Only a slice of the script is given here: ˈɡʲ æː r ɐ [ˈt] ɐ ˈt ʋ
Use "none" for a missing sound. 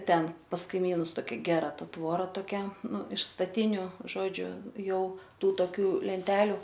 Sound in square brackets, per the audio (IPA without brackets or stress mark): t